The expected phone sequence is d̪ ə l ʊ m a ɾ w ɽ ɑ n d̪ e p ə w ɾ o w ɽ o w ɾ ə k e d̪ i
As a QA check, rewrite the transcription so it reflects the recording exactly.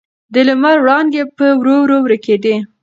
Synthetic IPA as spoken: d̪ ə l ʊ m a ɾ w ɽ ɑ n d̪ e p ə w ɾ o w ɾ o w ɾ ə k e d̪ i